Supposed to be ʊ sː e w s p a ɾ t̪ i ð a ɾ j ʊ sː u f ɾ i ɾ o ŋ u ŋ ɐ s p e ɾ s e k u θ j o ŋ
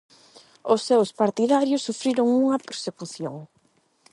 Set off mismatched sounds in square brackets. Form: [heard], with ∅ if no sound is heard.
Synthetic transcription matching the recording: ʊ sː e w s p a ɾ t̪ i ð a ɾ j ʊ sː u f ɾ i ɾ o ŋ u ŋ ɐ [∅] p e ɾ s e k u θ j o ŋ